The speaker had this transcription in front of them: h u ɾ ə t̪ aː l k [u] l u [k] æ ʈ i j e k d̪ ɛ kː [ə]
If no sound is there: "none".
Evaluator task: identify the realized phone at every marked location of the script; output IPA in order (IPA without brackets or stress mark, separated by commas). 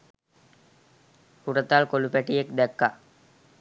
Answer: o, p, a